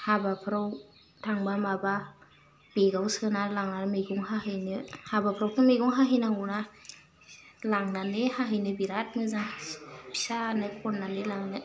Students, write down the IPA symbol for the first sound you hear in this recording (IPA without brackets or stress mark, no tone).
h